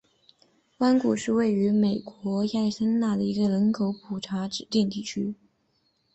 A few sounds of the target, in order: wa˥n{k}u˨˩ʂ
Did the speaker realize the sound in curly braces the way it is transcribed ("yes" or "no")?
yes